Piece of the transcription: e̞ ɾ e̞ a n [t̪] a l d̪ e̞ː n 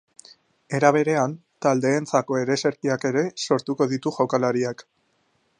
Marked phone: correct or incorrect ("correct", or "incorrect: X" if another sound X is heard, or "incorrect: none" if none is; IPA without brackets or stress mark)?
correct